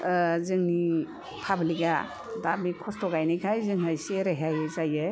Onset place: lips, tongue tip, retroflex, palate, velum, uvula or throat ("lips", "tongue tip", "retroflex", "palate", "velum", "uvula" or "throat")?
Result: tongue tip